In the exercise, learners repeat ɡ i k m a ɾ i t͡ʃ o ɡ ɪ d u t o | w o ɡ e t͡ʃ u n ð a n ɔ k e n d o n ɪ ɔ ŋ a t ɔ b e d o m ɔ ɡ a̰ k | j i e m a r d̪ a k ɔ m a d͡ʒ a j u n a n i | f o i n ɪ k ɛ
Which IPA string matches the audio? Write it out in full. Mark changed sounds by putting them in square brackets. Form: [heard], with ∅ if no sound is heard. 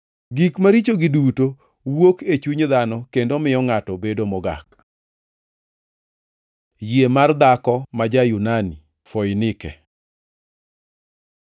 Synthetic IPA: ɡ i k m a ɾ i t͡ʃ o ɡ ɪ d u t o | w o [k] e t͡ʃ u [ɲ] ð a n ɔ k e n d o [m] ɪ ɔ ŋ a t ɔ b e d o m ɔ ɡ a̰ k | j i e m a r d̪ a k ɔ m a d͡ʒ a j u n a n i | f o [j] n ɪ k ɛ